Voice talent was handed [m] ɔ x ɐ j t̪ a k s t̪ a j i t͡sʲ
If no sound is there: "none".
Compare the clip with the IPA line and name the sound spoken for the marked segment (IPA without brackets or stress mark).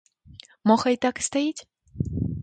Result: m